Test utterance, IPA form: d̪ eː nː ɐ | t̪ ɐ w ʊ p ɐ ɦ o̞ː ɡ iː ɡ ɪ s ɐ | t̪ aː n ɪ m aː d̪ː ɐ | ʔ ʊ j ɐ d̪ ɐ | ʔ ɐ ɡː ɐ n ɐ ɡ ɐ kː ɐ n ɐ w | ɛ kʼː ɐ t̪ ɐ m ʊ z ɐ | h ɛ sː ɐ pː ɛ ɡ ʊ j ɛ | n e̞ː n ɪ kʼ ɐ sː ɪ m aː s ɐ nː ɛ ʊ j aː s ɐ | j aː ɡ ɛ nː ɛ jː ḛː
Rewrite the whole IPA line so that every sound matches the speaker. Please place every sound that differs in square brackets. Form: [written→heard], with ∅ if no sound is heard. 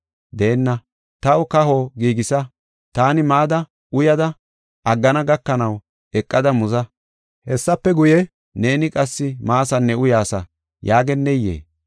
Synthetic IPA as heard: d̪ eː nː ɐ | t̪ ɐ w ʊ [p→k] ɐ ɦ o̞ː ɡ iː ɡ ɪ s ɐ | t̪ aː n ɪ m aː [d̪ː→d̪] ɐ | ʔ ʊ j ɐ d̪ ɐ | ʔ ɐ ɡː ɐ n ɐ ɡ ɐ kː ɐ n ɐ w | ɛ kʼː ɐ [t̪→d̪] ɐ m ʊ z ɐ | h ɛ sː ɐ pː ɛ ɡ ʊ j ɛ | n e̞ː n ɪ kʼ ɐ sː ɪ m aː s ɐ nː ɛ ʊ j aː s ɐ | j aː ɡ ɛ nː ɛ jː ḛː